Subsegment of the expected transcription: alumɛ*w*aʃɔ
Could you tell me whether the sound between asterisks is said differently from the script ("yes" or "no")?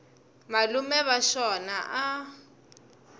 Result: yes